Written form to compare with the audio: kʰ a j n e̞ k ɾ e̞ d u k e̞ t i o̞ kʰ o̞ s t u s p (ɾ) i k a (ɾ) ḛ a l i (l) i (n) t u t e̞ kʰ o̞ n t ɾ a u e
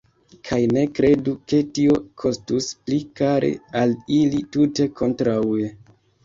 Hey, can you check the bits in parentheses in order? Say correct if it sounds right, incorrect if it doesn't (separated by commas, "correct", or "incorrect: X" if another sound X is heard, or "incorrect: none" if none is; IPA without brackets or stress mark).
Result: incorrect: l, correct, correct, incorrect: none